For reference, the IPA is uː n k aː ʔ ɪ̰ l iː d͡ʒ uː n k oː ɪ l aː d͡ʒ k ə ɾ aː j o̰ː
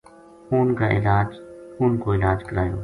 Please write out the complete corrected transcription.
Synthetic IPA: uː n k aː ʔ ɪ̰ l aː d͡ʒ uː n k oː ɪ l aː d͡ʒ k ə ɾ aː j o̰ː